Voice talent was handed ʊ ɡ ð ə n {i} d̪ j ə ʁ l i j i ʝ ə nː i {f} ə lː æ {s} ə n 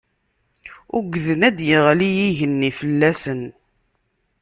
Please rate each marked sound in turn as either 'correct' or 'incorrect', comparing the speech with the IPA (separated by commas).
incorrect, correct, correct